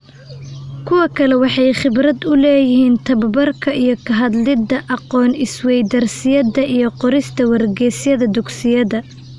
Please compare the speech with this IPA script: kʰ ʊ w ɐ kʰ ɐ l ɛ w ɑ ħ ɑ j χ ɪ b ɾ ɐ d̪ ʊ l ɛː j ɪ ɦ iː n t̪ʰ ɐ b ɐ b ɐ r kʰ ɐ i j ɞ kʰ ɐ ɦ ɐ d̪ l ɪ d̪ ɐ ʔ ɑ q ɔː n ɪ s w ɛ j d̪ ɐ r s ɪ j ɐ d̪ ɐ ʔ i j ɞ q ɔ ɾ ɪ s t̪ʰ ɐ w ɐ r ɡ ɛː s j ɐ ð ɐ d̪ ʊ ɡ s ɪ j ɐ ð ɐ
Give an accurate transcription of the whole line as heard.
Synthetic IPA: kʰ ʊ w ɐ kʰ ɐ l ɛ w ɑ ħ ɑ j χ ɪ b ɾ ɐ d̪ ʊ l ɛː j ɪ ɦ iː n t̪ʰ ɐ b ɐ b ɐ r kʰ ɐ i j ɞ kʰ ɐ ɦ ɐ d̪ l ɪ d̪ ɐ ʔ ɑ q ɔː n ɪ s w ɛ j d̪ ɐ r s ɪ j ɐ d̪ ɐ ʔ i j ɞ q ɔ ɾ ɪ s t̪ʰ ɐ w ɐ r ɡ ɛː s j ɐ ð ɐ d̪ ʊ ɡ s ɪ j ɐ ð ɐ